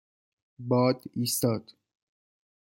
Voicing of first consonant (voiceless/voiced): voiced